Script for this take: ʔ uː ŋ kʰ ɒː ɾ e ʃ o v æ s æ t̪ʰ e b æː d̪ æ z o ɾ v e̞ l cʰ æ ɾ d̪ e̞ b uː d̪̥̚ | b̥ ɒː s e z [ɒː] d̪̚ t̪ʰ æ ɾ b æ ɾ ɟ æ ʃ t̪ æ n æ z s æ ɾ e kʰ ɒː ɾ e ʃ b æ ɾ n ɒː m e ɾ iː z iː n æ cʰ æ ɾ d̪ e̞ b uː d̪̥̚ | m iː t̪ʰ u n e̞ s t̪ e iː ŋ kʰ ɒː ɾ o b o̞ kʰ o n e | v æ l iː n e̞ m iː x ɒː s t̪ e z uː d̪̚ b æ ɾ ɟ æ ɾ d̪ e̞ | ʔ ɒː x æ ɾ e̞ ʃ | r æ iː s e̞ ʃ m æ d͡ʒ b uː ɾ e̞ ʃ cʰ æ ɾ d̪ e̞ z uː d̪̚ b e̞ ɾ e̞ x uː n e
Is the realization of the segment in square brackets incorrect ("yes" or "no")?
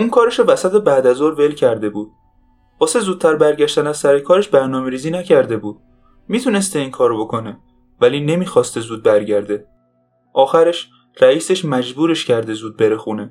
yes